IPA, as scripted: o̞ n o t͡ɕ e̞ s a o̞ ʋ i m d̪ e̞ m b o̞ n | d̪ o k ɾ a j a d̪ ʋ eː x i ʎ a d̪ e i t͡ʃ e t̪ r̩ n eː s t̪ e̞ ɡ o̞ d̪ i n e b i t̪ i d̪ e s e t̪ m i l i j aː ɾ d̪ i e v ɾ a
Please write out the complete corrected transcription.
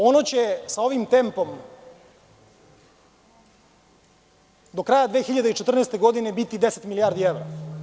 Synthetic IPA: o̞ n o t͡ɕ e̞ s a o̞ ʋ i m t̪ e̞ m p o̞ m | d̪ o k ɾ a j a d̪ ʋ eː x i ʎ a d̪ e i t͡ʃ e t̪ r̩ n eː s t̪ e̞ ɡ o̞ d̪ i n e b i t̪ i d̪ e s e t̪ m i l i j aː ɾ d̪ i e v ɾ a